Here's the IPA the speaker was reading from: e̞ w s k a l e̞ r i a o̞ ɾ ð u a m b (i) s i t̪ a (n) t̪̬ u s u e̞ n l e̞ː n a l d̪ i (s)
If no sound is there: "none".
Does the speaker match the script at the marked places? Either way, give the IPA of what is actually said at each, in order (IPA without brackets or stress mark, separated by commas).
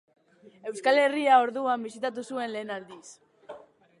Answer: i, none, s